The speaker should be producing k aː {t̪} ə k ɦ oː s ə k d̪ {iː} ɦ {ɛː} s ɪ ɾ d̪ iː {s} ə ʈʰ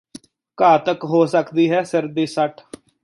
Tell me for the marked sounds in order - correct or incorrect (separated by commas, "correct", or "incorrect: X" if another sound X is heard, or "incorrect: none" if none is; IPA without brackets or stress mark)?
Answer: correct, correct, correct, correct